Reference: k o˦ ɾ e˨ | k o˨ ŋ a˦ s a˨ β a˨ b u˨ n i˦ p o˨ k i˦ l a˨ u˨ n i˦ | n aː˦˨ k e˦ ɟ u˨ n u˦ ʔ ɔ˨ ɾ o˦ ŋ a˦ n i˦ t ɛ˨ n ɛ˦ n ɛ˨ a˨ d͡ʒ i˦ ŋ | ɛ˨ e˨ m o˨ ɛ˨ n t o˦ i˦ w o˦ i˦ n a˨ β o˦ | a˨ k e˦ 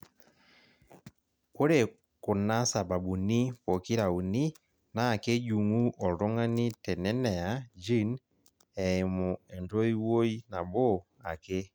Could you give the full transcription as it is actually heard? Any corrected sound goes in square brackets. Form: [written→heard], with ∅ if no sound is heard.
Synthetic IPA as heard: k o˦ ɾ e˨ | k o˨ [ŋ→n] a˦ s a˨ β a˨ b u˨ n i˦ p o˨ k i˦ [l→ɾ] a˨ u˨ n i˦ | n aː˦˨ k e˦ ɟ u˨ [n→ŋ] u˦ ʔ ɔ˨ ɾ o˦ ŋ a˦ n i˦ t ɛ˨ n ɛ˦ n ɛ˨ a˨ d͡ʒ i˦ [ŋ→n] | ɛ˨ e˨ m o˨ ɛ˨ n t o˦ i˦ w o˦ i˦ n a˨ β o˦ | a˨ k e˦